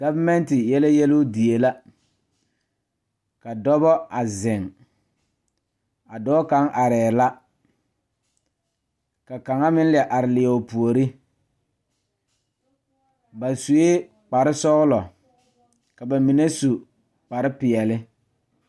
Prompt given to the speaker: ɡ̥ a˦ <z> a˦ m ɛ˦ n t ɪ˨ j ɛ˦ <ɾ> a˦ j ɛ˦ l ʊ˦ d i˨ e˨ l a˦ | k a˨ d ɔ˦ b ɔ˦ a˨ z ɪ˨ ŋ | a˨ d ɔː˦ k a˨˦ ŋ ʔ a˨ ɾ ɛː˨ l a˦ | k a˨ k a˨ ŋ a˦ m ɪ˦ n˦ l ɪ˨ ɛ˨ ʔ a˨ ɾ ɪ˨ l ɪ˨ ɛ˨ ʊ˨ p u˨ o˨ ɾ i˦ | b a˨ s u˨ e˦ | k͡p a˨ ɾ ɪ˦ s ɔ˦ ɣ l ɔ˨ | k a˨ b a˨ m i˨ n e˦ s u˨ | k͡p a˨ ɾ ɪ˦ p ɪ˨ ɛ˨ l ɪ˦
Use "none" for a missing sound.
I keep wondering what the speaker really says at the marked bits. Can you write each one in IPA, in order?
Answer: v, l

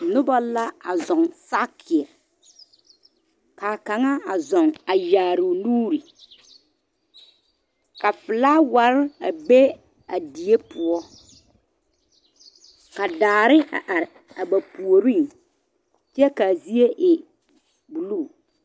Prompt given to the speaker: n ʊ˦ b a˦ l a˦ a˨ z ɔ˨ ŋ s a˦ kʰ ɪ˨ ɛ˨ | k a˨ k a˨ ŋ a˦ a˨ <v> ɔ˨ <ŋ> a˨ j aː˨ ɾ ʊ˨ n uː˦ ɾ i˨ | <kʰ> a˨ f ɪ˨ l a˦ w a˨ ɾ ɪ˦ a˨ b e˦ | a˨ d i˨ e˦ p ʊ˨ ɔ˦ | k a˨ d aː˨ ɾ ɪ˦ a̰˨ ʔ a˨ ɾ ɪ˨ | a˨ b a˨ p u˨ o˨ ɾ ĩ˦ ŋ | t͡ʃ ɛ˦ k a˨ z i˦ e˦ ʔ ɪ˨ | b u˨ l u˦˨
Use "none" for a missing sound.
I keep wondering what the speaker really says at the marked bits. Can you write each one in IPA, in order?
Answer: z, ŋ, k

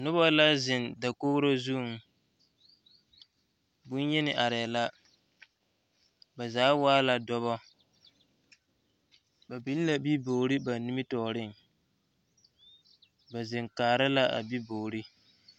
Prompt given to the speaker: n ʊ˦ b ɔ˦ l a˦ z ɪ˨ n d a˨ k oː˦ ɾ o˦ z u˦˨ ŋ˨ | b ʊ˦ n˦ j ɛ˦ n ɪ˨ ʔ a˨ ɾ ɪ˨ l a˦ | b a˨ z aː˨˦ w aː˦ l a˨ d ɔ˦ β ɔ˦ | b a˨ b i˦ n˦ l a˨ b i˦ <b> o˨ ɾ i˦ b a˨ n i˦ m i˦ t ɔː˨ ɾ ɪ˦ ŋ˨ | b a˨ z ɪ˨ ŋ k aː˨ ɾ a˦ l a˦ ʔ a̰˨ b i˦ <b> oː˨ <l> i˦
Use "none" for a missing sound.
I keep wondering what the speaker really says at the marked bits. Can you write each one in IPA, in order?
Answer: b, b, ɾ

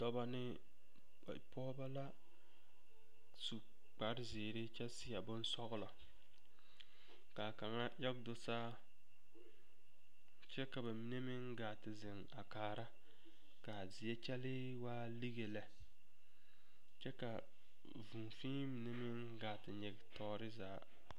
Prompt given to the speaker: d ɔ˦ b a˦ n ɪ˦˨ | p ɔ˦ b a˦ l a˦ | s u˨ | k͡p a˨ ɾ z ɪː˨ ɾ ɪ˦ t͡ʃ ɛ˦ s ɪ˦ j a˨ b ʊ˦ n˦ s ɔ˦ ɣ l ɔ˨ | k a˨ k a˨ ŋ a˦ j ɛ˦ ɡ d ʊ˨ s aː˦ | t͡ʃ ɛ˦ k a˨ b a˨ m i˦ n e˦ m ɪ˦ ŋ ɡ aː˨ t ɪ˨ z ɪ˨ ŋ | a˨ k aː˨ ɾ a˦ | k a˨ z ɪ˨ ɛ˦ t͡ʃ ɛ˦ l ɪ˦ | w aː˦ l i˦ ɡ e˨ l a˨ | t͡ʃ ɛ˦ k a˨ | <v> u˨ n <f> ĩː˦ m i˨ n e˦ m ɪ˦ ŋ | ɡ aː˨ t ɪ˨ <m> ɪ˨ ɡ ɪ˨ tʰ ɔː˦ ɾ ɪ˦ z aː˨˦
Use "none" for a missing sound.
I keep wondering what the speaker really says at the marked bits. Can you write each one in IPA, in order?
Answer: v, f, ɲ

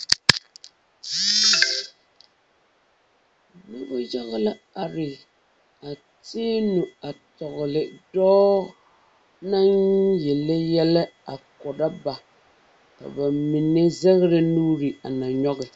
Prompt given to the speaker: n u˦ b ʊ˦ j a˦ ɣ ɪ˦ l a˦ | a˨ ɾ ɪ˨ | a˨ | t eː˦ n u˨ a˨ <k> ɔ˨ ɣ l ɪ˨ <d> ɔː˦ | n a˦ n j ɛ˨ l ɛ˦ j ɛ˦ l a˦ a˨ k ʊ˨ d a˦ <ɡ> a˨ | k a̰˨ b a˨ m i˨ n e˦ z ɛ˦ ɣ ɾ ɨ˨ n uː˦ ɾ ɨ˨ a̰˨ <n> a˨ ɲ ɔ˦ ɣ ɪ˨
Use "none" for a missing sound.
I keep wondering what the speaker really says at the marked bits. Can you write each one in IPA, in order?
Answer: t, d, b, n

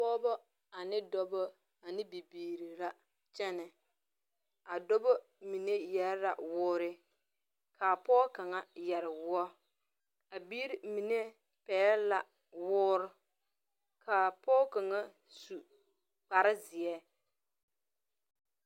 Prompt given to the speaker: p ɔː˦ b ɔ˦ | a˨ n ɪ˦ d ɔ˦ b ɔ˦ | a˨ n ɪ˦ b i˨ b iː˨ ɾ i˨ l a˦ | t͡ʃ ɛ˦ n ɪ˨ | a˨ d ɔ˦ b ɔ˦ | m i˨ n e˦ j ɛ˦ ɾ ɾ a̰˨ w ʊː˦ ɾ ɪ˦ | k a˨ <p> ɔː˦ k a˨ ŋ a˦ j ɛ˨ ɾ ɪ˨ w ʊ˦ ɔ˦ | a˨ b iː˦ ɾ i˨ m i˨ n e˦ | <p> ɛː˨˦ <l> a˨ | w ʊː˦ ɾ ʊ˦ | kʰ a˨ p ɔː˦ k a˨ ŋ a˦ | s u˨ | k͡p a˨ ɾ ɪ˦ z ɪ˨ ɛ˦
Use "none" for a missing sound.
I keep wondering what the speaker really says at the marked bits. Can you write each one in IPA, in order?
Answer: p, p, l

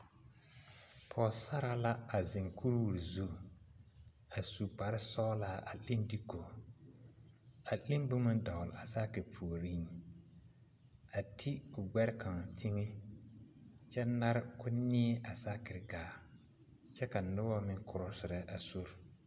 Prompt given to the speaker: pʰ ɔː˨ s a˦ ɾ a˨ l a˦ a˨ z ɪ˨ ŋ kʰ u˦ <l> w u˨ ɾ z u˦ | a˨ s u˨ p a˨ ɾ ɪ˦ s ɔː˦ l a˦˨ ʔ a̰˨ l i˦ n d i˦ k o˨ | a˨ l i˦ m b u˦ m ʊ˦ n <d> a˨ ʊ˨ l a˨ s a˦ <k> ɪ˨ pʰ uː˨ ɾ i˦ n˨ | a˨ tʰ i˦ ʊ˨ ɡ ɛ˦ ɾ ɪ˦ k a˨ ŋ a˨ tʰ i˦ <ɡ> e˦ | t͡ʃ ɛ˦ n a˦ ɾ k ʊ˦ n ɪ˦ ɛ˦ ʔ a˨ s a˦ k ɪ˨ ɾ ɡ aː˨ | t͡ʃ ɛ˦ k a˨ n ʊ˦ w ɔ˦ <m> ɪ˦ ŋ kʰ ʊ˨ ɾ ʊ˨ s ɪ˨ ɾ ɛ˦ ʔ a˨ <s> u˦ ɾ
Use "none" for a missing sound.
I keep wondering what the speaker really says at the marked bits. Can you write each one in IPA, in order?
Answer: ɾ, d, k, ŋ, m, s

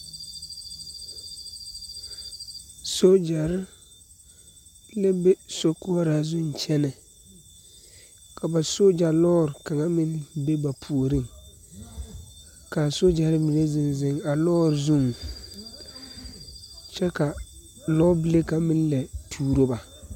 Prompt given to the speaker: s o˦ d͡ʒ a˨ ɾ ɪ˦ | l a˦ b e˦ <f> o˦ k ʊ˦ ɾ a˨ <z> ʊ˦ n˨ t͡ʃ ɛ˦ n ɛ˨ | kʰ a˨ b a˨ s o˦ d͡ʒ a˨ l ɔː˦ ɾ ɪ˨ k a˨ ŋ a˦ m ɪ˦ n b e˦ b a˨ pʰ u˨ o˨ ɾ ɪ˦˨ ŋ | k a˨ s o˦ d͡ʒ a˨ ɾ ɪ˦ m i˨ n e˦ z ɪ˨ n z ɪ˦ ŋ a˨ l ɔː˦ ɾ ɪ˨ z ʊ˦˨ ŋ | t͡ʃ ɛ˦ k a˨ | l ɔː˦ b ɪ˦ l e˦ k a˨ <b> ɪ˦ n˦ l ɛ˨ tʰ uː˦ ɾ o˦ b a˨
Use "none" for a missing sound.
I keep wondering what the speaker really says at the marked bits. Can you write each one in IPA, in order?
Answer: s, z, m

